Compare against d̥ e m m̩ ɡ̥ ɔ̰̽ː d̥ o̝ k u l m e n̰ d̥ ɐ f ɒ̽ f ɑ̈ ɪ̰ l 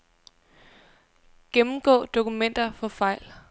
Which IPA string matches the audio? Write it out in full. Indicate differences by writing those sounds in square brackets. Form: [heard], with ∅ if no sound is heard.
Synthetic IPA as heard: [ɡ̥] e m m̩ ɡ̥ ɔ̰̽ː d̥ o̝ k u [∅] m e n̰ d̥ ɐ f ɒ̽ f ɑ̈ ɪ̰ l